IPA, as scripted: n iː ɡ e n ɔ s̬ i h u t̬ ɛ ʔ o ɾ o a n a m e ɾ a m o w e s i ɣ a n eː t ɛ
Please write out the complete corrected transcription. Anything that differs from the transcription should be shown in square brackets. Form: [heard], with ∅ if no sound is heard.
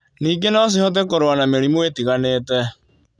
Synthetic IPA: n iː ɡ e n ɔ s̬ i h [ɔ] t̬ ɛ [k] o ɾ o a n a m e ɾ [i] m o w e [t] i ɣ a n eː t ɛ